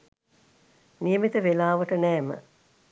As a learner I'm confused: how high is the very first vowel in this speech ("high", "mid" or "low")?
high